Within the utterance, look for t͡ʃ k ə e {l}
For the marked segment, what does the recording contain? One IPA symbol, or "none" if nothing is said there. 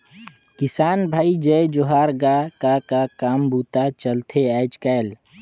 l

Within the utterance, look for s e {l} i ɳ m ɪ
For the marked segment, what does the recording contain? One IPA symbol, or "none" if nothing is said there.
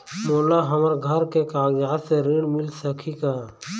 ɾ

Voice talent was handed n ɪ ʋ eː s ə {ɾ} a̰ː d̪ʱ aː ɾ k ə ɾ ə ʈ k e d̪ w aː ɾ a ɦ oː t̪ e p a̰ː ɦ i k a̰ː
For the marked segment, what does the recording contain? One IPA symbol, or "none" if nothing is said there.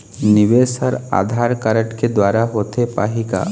ɾ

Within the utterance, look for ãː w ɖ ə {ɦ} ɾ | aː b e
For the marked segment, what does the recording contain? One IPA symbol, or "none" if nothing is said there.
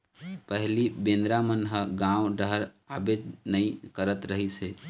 ɦ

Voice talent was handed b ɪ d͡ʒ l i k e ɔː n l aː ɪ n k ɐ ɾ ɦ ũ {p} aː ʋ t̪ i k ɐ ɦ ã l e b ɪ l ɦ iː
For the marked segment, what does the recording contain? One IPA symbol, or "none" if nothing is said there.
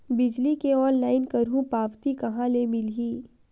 p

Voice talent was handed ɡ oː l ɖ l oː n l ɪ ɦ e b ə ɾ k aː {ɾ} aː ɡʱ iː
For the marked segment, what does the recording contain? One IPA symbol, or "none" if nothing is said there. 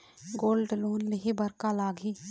l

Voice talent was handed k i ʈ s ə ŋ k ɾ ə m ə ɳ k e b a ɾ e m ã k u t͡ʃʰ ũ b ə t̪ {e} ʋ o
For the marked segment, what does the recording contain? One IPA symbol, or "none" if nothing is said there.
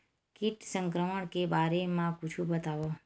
a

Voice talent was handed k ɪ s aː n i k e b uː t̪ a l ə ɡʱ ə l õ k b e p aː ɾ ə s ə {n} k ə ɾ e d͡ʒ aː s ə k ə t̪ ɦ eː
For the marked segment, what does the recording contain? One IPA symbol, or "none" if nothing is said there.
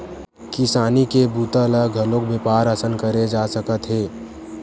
n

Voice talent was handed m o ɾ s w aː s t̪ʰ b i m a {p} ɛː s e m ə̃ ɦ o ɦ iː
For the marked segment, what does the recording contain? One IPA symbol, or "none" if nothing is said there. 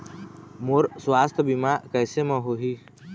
k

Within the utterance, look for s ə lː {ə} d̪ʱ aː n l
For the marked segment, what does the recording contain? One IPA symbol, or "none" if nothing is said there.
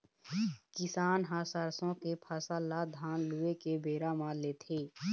a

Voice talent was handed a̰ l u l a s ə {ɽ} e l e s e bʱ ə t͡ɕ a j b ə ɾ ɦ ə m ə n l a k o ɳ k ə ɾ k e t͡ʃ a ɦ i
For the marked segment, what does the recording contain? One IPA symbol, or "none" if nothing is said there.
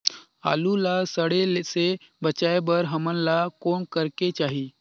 ɽ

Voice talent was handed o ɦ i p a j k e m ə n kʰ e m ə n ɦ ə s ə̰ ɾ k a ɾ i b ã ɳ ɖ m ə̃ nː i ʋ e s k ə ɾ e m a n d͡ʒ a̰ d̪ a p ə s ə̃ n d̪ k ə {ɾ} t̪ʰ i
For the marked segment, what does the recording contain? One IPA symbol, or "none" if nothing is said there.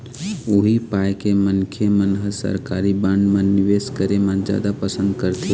ɾ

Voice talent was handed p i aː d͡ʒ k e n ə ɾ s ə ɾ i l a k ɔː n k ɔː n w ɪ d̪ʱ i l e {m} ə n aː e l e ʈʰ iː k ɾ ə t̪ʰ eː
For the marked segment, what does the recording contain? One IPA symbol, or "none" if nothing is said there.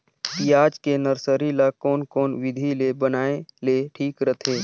b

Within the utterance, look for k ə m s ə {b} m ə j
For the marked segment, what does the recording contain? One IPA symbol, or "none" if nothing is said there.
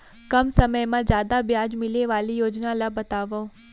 none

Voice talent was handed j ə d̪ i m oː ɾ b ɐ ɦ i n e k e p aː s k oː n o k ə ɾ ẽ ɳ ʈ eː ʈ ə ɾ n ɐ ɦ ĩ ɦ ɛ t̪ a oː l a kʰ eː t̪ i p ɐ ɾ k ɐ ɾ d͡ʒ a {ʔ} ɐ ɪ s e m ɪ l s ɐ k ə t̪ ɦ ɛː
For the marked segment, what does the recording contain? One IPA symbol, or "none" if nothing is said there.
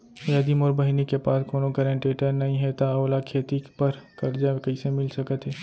k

